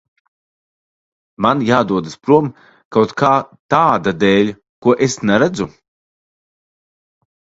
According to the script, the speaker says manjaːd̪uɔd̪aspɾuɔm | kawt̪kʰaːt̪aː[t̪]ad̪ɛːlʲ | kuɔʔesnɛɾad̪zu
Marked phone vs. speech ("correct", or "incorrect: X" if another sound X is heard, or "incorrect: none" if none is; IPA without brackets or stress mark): incorrect: d̪